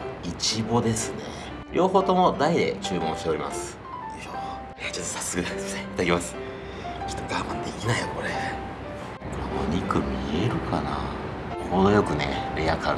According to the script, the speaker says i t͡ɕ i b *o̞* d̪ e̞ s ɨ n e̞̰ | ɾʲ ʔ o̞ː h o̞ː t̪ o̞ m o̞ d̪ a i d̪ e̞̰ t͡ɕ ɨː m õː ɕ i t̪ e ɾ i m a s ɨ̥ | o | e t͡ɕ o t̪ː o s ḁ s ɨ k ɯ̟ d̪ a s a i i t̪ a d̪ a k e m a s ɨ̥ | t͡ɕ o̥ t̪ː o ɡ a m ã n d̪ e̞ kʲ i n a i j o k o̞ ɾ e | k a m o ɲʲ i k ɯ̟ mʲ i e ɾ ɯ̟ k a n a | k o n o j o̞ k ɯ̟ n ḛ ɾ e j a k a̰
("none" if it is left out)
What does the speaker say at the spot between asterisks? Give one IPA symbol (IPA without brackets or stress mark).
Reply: o̞